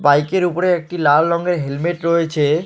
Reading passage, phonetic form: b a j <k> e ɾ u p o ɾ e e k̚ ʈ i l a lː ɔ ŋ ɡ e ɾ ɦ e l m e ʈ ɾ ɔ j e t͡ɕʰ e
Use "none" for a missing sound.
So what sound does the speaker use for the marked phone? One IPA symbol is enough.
k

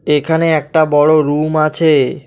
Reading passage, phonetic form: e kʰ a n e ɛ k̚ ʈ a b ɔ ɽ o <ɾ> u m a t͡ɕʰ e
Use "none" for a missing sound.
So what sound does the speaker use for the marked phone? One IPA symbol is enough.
ɾ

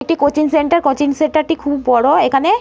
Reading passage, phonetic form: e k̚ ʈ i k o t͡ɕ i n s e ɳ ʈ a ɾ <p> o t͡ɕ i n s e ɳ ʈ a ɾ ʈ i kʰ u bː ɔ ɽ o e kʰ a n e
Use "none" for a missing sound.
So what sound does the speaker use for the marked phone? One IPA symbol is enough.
k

